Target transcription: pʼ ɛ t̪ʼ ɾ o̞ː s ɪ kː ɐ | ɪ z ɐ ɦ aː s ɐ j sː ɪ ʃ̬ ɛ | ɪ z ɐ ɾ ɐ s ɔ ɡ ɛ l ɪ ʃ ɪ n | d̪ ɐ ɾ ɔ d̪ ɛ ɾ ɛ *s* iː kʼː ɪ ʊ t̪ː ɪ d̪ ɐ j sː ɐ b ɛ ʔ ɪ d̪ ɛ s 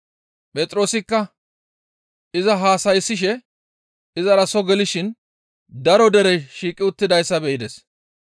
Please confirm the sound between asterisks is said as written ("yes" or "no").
no